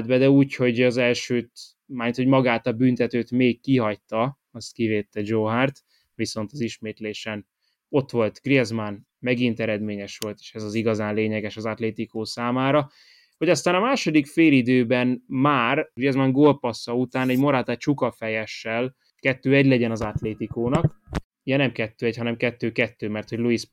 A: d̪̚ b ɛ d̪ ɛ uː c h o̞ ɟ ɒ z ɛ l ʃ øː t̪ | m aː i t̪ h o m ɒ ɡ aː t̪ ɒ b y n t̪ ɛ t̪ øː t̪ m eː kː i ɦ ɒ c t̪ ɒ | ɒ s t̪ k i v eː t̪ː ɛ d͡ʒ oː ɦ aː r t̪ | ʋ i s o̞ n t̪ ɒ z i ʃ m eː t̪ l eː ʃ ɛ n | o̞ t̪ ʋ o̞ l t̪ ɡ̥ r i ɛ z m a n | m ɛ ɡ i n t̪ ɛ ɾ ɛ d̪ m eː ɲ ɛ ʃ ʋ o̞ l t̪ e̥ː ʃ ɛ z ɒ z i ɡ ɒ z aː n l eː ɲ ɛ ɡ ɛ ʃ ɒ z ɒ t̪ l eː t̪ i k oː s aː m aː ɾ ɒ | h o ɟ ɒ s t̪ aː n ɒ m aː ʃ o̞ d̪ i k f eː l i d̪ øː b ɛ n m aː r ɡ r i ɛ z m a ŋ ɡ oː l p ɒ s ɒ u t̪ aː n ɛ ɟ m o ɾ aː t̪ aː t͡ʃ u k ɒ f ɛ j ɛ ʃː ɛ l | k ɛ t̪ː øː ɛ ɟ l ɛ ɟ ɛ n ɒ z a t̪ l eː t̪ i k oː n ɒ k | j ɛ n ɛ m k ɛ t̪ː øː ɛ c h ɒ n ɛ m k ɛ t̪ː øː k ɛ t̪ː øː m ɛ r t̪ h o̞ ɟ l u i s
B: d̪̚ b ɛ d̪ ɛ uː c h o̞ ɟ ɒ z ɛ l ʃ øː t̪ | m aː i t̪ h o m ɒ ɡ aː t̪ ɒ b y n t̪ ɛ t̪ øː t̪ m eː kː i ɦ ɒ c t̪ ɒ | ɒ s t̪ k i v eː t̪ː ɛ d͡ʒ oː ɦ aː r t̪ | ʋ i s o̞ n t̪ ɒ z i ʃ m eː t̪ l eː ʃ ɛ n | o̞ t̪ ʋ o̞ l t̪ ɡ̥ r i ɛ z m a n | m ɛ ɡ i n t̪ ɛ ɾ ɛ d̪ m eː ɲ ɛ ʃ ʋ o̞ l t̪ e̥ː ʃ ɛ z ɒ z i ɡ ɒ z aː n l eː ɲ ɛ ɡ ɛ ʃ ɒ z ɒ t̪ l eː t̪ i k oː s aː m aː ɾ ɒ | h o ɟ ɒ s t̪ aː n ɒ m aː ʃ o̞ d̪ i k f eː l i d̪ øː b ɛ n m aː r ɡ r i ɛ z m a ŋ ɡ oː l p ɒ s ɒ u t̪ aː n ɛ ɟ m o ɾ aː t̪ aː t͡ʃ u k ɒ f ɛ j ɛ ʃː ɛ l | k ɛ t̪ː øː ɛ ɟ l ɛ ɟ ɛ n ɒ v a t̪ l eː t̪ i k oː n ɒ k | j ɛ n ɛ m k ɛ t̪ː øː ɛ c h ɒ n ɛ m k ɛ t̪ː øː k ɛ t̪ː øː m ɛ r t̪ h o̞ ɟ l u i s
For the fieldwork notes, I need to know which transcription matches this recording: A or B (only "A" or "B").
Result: A